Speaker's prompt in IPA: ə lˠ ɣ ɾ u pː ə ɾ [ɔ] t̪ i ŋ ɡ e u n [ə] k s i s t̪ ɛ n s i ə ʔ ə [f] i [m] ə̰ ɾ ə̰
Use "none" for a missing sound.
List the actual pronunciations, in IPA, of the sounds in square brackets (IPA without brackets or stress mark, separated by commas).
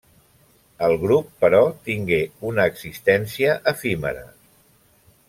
ɔ, əː, f, m